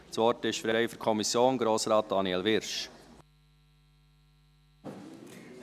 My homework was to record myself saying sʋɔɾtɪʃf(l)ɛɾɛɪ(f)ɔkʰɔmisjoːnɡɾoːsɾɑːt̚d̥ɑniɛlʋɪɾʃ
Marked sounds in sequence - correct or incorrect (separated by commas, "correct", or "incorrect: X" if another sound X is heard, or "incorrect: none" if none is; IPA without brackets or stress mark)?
incorrect: ɾ, correct